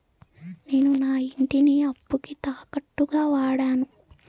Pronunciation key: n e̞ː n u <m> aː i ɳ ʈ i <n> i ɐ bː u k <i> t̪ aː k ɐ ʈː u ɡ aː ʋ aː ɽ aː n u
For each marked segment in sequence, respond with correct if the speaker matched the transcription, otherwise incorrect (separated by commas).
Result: incorrect, correct, correct